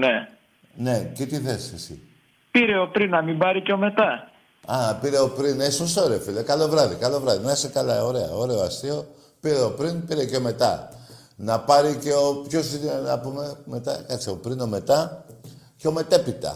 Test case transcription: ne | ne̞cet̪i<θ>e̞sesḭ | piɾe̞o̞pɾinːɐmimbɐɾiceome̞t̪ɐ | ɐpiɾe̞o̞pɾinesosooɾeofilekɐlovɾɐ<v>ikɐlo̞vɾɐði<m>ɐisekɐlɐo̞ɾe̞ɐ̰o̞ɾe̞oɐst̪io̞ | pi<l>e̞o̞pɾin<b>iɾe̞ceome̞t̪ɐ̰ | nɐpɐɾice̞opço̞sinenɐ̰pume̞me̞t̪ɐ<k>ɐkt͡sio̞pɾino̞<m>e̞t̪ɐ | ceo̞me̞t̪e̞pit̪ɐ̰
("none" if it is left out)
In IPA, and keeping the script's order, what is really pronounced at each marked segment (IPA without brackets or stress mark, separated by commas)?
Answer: θ, ð, n, ɾ, p, k, m